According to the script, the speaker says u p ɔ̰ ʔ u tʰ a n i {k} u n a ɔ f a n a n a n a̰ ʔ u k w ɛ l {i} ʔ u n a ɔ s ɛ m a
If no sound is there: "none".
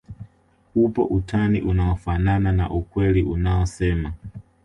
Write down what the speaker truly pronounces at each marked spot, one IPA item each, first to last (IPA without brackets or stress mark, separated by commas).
ʔ, i